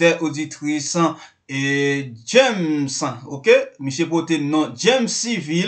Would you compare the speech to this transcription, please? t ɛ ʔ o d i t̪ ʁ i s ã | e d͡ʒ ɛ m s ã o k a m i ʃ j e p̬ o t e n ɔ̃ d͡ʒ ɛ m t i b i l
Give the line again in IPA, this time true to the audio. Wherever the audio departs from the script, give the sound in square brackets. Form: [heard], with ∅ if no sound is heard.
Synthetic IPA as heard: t ɛ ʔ o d i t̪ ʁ i s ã | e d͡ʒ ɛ m s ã o k [e] m i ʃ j e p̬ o t e n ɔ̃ d͡ʒ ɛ m [s] i [v] i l